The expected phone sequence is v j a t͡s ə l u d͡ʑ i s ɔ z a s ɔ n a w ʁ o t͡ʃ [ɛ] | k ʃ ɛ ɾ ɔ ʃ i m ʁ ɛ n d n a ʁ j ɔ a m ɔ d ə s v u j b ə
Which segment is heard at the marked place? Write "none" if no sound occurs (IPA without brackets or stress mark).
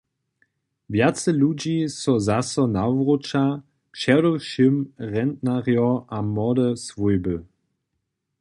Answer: a